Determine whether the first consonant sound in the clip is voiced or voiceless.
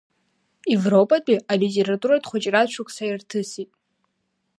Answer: voiced